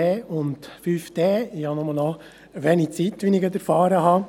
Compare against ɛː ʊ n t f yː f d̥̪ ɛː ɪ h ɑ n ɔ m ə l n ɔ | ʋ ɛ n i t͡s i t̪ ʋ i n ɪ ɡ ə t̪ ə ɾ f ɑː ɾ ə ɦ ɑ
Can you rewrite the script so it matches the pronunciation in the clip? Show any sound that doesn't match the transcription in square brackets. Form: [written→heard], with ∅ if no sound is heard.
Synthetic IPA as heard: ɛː ʊ n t f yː f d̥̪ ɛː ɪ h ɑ n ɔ m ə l n ɔ | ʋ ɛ n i t͡s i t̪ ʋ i n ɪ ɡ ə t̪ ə ɾ f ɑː ɾ ə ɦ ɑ

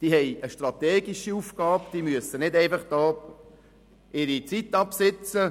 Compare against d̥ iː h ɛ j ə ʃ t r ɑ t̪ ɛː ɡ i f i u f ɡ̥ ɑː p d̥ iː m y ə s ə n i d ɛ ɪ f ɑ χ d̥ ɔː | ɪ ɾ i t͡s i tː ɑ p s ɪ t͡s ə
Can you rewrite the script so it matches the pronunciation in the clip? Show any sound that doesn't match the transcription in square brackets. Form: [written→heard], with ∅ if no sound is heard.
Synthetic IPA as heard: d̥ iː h ɛ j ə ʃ t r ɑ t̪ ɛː ɡ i [f→ʃ] i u f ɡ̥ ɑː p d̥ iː m y ə s ə n [i→ɪ] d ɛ ɪ f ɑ χ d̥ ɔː | ɪ ɾ i t͡s i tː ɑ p s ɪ t͡s ə

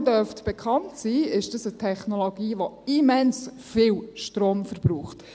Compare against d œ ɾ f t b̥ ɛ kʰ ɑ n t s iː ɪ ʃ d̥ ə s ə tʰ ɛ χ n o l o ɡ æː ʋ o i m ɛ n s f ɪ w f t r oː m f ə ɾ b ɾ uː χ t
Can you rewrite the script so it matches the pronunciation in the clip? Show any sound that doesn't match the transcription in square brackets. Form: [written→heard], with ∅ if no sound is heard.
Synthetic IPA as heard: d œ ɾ f t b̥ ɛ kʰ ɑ n t s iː ɪ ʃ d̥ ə s ə tʰ ɛ χ n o l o ɡ [æː→iː] ʋ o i m ɛ n s f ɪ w [f→ʃ] t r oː m f ə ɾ b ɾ uː χ t

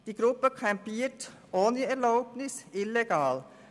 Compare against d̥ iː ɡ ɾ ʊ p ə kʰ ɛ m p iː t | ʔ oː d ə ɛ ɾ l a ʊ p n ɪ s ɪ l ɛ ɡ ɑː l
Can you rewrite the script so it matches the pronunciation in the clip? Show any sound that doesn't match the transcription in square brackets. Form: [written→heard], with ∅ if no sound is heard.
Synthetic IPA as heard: d̥ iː ɡ ɾ ʊ p ə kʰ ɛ m p iː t | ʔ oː [d→n] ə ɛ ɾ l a ʊ p n ɪ s ɪ l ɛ ɡ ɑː l

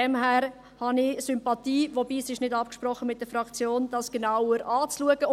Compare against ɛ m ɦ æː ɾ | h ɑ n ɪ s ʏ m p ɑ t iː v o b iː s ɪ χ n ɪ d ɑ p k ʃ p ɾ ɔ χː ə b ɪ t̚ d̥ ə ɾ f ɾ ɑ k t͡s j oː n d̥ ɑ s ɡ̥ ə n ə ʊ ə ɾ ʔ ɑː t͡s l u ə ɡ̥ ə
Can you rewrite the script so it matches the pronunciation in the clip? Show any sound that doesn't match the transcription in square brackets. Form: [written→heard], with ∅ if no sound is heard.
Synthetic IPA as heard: ɛ m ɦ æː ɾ | h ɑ n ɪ s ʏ m p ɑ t iː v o b iː s ɪ [χ→ʃ] n ɪ d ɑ p k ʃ p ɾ ɔ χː ə [b→m] ɪ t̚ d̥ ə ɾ f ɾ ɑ k t͡s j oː n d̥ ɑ s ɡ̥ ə n [ə→a] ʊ ə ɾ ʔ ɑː t͡s l u ə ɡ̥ ə

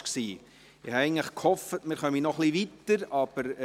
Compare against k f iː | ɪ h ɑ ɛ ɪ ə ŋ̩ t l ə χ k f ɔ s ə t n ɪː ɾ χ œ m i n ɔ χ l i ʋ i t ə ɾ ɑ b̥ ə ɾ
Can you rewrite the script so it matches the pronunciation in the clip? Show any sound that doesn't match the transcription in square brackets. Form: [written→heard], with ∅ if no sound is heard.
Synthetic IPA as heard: k [f→s] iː | ɪ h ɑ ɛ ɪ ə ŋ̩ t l ə χ k [f→h] ɔ [s→f] ə t [n→m] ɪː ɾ χ œ m i n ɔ χ l i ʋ i t ə ɾ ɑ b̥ ə ɾ

